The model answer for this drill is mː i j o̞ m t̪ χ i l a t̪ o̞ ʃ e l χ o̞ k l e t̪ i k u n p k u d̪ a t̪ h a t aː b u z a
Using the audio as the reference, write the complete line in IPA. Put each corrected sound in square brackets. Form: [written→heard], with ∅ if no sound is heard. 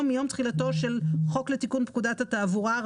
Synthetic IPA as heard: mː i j o̞ m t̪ χ i l a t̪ o̞ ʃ e l χ o̞ k l e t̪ i k u n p k u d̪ a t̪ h a t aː [b→v] u [z→ʁ] a